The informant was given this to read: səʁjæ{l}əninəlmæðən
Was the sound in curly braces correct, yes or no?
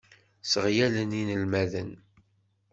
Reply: yes